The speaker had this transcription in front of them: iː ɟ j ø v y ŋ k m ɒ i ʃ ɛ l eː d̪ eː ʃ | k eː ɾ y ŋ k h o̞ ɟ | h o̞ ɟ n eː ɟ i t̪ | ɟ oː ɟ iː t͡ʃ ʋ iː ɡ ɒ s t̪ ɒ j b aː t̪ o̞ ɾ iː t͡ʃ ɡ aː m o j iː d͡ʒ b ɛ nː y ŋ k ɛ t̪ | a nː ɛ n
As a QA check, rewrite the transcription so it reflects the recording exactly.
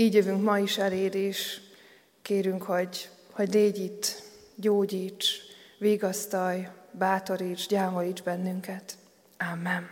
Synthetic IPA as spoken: iː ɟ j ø v y ŋ k m ɒ i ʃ ɛ l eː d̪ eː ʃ | k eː ɾ y ŋ k h o̞ ɟ | h o̞ ɟ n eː ɟ i t̪ | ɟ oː ɟ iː t͡ʃ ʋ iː ɡ ɒ s t̪ ɒ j b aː t̪ o̞ ɾ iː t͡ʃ ɟ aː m o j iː d͡ʒ b ɛ nː y ŋ k ɛ t̪ | a mː ɛ n